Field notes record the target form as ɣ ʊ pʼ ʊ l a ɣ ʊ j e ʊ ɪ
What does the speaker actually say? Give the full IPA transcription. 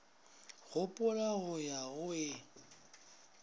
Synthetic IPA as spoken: ɣ ʊ pʼ ʊ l a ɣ ʊ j a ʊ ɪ

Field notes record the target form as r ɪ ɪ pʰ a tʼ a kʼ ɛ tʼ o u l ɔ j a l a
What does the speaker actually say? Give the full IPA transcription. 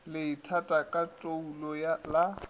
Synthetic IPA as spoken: l ɪ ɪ tʰ a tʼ a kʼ a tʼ o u l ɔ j a l a

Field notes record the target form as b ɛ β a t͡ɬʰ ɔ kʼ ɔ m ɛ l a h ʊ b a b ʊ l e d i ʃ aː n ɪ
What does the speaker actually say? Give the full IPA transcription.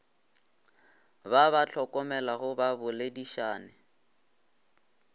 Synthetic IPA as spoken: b a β a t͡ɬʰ ɔ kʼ ɔ m ɛ l a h ʊ b a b ʊ l e d i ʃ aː n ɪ

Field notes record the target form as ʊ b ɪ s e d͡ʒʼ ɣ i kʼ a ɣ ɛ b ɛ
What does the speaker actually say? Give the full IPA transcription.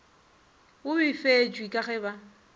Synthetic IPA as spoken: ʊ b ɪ f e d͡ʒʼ w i kʼ a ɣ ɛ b a

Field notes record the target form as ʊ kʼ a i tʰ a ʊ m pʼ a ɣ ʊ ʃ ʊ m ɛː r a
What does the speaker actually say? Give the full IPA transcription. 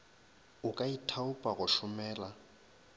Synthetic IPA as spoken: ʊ kʼ a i tʰ a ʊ pʼ a ɣ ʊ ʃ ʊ m ɛː l a

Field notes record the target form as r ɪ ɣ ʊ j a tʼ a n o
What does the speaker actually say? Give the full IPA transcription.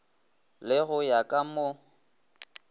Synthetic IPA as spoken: l ɪ ɣ ʊ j a kʼ a m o

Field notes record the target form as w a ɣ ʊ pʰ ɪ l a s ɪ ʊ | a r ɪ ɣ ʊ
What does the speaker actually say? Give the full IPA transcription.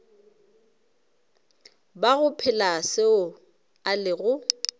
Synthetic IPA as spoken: b a ɣ ʊ pʰ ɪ l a s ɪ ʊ | a l ɪ ɣ ʊ

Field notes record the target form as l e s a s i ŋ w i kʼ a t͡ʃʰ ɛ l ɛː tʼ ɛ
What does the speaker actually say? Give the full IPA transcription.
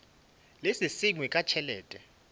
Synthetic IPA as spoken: l e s i s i ŋ w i kʼ a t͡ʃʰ ɛ l ɛː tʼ ɛ

